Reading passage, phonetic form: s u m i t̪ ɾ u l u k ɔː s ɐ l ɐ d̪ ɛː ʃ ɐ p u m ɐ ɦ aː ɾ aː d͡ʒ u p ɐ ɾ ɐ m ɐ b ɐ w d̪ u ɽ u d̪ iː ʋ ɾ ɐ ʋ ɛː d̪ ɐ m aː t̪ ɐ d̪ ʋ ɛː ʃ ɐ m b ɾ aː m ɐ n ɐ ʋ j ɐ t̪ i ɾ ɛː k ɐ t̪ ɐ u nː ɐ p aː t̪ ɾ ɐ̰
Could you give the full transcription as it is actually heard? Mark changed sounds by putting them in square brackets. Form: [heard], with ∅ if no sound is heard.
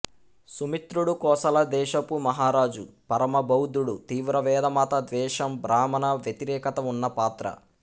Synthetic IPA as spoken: s u m i t̪ ɾ u [ɽ] u k ɔː s ɐ l ɐ d̪ ɛː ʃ ɐ p u m ɐ ɦ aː ɾ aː d͡ʒ u p ɐ ɾ ɐ m ɐ b ɐ w d̪ u ɽ u [t̪] iː ʋ ɾ ɐ ʋ ɛː d̪ ɐ m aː t̪ ɐ d̪ ʋ ɛː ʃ ɐ m b ɾ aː m ɐ n ɐ ʋ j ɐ t̪ i ɾ ɛː k ɐ t̪ ɐ u nː ɐ p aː t̪ ɾ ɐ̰